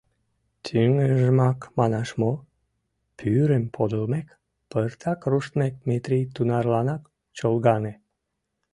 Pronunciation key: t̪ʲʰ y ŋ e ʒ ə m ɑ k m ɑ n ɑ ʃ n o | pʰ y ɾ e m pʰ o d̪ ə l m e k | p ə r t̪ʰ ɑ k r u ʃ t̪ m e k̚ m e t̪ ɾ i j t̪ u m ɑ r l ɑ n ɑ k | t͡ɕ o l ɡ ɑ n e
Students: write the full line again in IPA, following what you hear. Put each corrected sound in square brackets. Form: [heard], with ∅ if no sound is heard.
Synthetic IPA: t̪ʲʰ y ŋ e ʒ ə m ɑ k m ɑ n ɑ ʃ [m] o | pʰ y ɾ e m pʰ o d̪ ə l m e k | p ə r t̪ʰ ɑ k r u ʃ t̪ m e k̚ m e t̪ ɾ i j t̪ u [n] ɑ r l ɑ n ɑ k | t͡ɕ o l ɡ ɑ n e